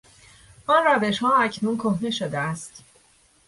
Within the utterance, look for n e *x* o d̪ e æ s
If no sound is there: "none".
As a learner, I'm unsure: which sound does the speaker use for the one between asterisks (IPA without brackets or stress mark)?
ʃ